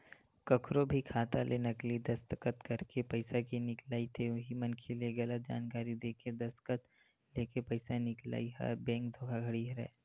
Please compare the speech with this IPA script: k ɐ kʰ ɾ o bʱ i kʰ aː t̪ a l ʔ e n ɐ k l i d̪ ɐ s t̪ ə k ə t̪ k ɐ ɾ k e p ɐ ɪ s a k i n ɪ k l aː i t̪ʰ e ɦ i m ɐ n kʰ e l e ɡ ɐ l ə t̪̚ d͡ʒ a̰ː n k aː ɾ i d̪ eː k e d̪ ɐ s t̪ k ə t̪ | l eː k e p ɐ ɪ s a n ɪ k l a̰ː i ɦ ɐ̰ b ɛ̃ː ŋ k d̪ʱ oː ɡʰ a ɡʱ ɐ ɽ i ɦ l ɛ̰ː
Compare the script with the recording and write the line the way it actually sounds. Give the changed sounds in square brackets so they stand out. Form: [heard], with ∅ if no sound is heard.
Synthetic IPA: k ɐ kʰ ɾ o bʱ i kʰ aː t̪ a l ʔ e n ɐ k l i d̪ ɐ s t̪ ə k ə t̪ k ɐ ɾ k e p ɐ ɪ s a k i n ɪ k l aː i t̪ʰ e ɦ i m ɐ n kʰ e l e ɡ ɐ l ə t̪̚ d͡ʒ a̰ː n k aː ɾ i d̪ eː k e d̪ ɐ s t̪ k ə t̪ | l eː k e p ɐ ɪ s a n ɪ k l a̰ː i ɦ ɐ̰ b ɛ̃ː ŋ k d̪ʱ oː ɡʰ a ɡʱ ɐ ɽ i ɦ [ɾ] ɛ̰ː

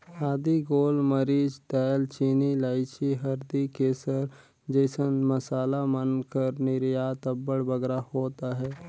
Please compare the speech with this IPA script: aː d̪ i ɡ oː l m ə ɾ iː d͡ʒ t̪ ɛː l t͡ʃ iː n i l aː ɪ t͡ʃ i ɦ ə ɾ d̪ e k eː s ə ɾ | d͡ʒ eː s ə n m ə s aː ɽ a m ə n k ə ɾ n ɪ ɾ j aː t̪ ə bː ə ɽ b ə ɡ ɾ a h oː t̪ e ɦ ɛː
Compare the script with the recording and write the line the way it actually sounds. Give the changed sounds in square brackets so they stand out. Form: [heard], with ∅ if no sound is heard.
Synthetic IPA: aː d̪ i ɡ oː l m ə ɾ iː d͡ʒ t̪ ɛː l t͡ʃ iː n i l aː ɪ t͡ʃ i ɦ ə ɾ d̪ [i] k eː s ə ɾ | d͡ʒ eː s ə n m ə s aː [l] a m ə n k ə ɾ n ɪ ɾ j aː t̪ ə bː ə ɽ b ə ɡ ɾ a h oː t̪ [a] ɦ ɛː

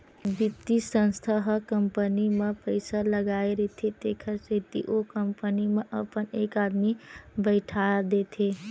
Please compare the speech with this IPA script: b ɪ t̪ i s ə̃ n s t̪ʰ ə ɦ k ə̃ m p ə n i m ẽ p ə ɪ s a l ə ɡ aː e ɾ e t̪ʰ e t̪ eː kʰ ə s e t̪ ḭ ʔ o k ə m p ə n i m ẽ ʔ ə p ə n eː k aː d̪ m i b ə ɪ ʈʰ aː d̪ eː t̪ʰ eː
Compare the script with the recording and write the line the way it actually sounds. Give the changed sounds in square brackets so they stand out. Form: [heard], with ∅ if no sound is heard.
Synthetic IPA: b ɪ t̪ i s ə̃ n s t̪ʰ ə ɦ k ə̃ m p ə n i m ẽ p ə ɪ s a l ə ɡ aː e ɾ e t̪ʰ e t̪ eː kʰ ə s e t̪ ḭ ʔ o k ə m p ə n i m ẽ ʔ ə p ə n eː k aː d̪ m i b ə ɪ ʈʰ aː d̪ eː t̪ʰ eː

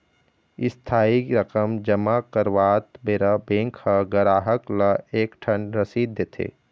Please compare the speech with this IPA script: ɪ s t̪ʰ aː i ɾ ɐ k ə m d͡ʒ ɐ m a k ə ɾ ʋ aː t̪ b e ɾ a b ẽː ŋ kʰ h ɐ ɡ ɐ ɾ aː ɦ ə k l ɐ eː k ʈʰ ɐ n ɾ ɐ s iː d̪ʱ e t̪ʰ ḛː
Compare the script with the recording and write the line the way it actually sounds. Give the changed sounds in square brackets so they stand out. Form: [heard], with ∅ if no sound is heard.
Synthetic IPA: ɪ s t̪ʰ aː i ɾ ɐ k ə m d͡ʒ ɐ m a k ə ɾ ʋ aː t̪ b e ɾ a b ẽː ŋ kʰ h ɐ ɡ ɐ ɾ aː ɦ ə k l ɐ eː k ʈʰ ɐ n ɾ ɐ s iː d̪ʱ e t̪ʰ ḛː

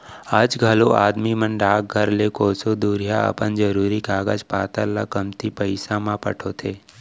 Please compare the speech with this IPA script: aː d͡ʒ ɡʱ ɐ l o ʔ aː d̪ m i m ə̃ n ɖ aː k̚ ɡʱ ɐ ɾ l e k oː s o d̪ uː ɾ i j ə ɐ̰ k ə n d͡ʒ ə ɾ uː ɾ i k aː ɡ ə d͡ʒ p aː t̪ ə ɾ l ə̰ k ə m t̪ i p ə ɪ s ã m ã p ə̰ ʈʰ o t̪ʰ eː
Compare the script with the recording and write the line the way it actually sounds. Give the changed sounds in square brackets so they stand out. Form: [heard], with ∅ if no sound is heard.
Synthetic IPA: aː d͡ʒ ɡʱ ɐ l o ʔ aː d̪ m i m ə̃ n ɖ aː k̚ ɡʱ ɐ ɾ l e k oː s o d̪ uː ɾ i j [a] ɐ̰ [p] ə n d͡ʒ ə ɾ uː ɾ i k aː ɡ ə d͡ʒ p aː t̪ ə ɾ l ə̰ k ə m t̪ i p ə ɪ s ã m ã p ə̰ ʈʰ o t̪ʰ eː

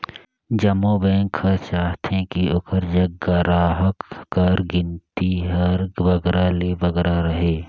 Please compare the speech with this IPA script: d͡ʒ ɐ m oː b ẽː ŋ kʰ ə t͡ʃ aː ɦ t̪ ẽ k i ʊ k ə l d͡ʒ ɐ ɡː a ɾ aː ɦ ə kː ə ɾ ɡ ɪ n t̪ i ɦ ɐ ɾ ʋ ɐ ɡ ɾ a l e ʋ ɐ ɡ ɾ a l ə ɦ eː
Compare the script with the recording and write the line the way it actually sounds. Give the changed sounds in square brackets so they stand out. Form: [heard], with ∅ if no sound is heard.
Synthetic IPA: d͡ʒ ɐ m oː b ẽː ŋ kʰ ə t͡ʃ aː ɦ t̪ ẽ k i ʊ k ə [ɾ] d͡ʒ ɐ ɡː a ɾ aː ɦ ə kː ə ɾ ɡ ɪ n t̪ i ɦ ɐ ɾ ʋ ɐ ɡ ɾ a l e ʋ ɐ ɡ ɾ a [ɾ] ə ɦ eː

